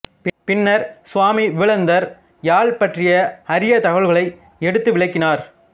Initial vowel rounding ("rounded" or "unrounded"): unrounded